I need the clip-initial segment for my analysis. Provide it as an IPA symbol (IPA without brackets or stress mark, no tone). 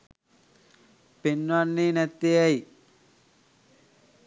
p